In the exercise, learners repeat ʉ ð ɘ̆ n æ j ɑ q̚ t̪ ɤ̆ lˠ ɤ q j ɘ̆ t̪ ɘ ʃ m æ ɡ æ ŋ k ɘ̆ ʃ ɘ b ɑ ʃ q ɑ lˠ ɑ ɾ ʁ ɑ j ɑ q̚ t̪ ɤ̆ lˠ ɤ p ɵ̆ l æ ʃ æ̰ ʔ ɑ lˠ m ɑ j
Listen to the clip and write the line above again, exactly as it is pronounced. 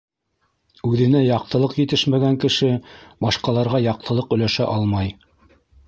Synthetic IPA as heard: ʉ ð ɘ̆ n æ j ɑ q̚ t̪ ɤ̆ lˠ ɤ q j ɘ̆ t̪ ɘ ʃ m æ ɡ æ ŋ k ɘ̆ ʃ ɘ b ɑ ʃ q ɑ lˠ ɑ ɾ ʁ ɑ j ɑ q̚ t̪ ɤ̆ lˠ ɤ q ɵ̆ l æ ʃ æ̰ ʔ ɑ lˠ m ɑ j